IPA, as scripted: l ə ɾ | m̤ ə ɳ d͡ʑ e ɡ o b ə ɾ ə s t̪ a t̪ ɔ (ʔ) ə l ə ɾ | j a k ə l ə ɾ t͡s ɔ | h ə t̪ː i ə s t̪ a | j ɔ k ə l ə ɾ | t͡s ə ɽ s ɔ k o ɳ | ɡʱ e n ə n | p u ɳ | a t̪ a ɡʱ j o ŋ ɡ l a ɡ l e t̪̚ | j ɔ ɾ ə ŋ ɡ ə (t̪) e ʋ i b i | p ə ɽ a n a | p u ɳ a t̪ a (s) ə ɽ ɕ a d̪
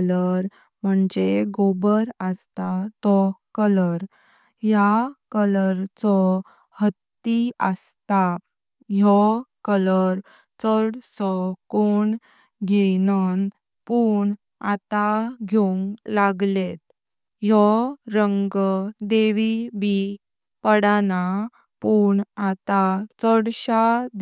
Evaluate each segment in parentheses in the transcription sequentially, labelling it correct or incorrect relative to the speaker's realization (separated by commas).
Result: incorrect, incorrect, incorrect